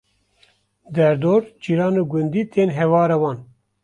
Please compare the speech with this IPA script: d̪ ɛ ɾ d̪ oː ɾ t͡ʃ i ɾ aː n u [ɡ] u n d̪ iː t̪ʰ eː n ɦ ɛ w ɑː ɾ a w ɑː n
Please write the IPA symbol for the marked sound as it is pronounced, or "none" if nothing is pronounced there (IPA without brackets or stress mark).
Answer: ɡ